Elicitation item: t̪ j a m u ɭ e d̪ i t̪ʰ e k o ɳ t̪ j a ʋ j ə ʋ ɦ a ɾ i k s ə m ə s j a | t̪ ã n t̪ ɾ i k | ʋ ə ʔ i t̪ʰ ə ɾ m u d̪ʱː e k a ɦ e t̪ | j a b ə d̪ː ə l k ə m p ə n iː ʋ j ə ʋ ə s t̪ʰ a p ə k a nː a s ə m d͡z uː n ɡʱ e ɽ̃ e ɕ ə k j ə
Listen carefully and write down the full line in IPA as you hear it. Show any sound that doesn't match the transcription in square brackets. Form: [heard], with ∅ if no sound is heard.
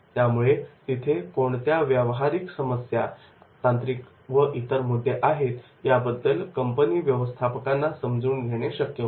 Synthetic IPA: t̪ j a m u ɭ e [t̪] i t̪ʰ e k o ɳ t̪ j a ʋ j ə ʋ ɦ a ɾ i k s ə m ə s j a | t̪ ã n t̪ ɾ i k | ʋ ə ʔ i [t̪] ə ɾ m u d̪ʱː e [ʔ] a ɦ e t̪ | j a b ə d̪ː ə l k ə m p ə n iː ʋ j ə ʋ ə s t̪ʰ a p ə k a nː a s ə m d͡z uː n ɡʱ e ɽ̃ e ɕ ə k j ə